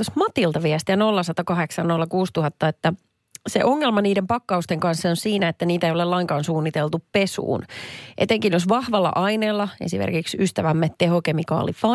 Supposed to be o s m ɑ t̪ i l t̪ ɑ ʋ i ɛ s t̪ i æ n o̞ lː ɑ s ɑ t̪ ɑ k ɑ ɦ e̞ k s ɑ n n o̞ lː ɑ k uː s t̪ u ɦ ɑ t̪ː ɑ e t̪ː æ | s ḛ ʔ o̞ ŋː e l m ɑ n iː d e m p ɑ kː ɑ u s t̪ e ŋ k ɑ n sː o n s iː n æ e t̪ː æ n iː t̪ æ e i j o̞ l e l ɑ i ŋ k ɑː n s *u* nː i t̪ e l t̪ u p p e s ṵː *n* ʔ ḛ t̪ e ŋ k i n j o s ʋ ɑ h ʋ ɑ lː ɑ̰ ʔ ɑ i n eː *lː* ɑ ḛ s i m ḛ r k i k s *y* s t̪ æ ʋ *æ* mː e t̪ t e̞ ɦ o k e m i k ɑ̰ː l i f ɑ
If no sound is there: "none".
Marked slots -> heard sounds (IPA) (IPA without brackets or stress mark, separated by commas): uː, n, lː, y, æ